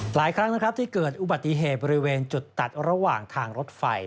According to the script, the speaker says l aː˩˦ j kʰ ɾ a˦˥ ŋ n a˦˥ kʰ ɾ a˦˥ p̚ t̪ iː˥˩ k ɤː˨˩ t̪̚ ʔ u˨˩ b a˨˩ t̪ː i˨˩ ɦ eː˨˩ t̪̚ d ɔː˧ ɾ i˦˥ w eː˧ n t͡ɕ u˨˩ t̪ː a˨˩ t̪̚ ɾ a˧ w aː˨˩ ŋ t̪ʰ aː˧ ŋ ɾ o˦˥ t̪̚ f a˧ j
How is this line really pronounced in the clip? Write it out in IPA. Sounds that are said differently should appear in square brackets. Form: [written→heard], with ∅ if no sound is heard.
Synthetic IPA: l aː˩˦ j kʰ ɾ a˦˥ ŋ n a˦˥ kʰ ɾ a˦˥ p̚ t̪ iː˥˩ k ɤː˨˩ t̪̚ ʔ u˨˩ b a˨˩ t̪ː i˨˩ ɦ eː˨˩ t̪̚ [d→b] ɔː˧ ɾ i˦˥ w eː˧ n t͡ɕ u˨˩ t̪ː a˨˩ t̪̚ ɾ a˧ w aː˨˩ ŋ t̪ʰ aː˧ ŋ ɾ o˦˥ t̪̚ f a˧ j